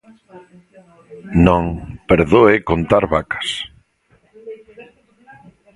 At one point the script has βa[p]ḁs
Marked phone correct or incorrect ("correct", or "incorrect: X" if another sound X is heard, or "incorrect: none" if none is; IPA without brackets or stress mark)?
incorrect: k